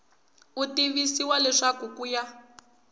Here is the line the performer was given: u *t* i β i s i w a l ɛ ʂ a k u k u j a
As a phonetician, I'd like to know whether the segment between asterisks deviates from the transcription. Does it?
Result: no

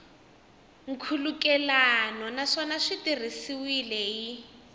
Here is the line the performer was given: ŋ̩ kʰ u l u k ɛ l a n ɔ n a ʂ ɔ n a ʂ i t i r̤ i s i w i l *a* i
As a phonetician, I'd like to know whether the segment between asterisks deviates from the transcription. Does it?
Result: yes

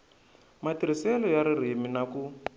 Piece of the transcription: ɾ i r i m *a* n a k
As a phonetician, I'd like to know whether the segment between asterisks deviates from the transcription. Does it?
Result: yes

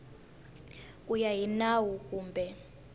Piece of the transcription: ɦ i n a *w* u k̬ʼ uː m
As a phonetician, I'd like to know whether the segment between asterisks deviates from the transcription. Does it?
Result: no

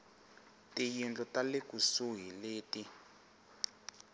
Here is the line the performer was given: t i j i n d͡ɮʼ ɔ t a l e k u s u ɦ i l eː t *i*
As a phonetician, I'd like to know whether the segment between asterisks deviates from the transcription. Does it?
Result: no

